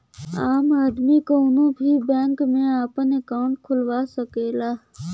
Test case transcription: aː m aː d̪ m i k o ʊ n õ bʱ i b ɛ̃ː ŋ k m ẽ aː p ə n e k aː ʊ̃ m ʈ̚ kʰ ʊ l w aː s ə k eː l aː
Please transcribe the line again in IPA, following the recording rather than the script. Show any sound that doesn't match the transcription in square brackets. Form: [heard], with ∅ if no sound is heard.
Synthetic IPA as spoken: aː m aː d̪ m i k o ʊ n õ bʱ i b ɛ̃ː ŋ k m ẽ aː p ə n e k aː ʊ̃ [ɳ] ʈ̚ kʰ ʊ l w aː s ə k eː l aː